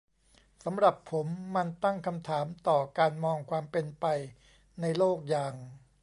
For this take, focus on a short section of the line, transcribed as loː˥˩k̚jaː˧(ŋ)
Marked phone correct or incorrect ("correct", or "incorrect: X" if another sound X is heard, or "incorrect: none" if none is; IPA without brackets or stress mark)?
correct